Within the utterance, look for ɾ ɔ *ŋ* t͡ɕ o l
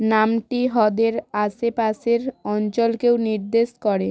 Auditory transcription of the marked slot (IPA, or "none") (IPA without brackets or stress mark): n